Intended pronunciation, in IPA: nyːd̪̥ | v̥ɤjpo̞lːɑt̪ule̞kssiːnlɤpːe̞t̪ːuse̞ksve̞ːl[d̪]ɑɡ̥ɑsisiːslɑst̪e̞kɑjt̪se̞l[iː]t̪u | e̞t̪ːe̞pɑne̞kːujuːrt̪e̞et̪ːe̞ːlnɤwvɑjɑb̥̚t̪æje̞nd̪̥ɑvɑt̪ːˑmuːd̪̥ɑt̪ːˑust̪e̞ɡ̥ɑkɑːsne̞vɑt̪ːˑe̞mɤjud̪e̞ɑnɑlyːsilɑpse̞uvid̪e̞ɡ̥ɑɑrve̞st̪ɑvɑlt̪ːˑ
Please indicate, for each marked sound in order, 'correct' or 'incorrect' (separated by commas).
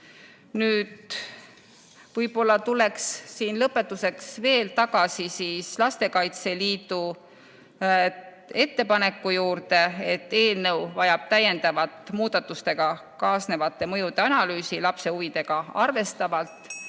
incorrect, correct